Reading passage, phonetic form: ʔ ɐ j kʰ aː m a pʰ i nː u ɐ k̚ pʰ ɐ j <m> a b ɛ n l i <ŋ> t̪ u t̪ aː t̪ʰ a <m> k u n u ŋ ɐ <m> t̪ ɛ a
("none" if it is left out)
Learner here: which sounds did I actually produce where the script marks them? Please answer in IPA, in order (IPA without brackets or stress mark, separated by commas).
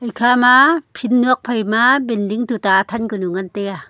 m, ŋ, n, n